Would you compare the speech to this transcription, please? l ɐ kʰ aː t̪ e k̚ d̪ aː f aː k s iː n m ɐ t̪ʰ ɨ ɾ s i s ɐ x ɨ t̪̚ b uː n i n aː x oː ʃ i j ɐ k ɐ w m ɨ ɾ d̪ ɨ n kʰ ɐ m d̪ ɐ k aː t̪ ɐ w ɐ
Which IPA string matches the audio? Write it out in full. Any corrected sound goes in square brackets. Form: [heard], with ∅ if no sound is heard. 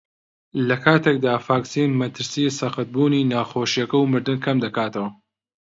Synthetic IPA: l ɐ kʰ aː t̪ e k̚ d̪ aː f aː k s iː n m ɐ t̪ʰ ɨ ɾ s i s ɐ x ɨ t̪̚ b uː n i n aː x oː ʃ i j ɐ k ɐ w m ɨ ɾ d̪ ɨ n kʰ ɐ m d̪ ɐ k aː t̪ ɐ w ɐ